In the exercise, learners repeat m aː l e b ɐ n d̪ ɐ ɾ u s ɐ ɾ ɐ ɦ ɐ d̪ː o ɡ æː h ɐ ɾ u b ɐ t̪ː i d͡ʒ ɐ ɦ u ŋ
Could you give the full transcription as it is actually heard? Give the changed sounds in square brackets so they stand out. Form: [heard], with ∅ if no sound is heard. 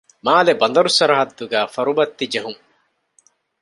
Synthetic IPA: m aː l e b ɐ n d̪ ɐ ɾ u s ɐ ɾ ɐ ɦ ɐ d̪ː [u] ɡ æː [f] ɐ ɾ u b ɐ t̪ː i d͡ʒ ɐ ɦ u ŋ